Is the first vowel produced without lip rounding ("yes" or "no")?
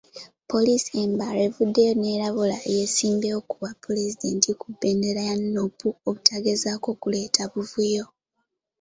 no